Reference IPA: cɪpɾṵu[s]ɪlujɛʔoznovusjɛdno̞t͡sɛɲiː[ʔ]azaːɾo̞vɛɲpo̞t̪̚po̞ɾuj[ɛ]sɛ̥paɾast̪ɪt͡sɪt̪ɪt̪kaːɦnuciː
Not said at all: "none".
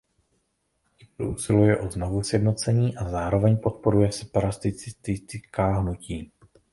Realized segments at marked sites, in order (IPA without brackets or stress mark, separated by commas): s, ʔ, ɛ